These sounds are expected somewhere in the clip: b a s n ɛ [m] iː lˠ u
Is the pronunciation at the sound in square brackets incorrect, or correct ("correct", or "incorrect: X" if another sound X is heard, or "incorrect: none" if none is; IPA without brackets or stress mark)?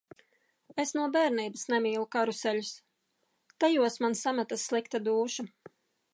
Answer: correct